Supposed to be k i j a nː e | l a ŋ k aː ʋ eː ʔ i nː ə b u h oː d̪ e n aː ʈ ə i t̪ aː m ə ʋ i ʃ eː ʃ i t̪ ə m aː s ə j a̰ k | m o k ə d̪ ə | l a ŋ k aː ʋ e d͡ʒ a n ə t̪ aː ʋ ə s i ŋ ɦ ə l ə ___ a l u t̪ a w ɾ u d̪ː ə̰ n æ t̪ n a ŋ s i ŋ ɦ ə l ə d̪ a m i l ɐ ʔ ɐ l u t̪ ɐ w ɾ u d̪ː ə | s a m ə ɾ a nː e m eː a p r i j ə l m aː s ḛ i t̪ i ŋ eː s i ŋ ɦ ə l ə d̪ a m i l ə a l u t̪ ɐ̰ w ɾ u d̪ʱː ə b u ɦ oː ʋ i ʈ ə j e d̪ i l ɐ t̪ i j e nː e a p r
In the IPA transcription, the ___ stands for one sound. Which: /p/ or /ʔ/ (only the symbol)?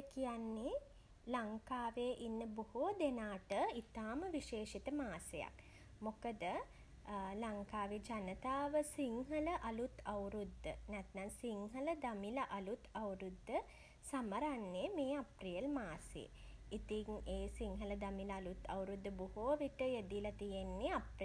ʔ